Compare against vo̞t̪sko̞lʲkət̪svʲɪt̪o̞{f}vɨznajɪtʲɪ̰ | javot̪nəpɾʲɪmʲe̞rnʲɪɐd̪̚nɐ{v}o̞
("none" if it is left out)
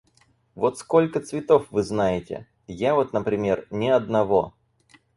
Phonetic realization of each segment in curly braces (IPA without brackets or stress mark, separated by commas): f, v